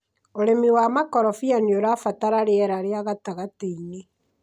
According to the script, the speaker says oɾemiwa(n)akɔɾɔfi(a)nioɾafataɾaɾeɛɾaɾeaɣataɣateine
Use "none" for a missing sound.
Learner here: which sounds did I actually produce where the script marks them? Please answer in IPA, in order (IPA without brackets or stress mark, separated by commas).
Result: m, a